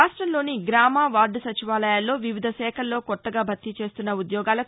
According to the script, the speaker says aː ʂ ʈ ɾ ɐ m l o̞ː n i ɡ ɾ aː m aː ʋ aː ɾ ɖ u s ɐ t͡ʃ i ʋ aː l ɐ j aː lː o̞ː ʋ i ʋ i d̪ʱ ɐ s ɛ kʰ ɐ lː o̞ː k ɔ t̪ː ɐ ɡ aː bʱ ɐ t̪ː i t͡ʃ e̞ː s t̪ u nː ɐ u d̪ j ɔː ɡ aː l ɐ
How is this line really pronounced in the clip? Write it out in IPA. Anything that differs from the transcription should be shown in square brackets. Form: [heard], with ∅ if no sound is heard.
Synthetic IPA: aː ʂ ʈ ɾ ɐ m l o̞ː n i ɡ ɾ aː m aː ʋ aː ɾ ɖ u s ɐ t͡ʃ i ʋ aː l ɐ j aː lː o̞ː ʋ i ʋ i d̪ʱ ɐ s [ɛː] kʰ ɐ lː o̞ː k ɔ t̪ː ɐ ɡ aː bʱ ɐ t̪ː i t͡ʃ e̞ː s t̪ u nː ɐ u d̪ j ɔː ɡ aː l ɐ